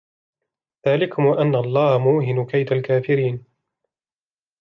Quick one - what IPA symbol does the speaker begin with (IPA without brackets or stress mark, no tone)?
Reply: ð